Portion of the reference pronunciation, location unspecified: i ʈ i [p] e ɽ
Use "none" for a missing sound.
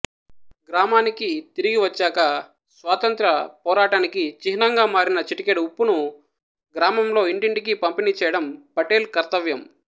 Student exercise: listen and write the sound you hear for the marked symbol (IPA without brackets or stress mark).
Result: k